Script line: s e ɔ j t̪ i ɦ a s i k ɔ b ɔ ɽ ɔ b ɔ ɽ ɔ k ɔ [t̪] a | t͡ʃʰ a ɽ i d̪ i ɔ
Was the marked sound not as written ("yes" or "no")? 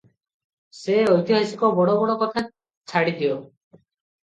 yes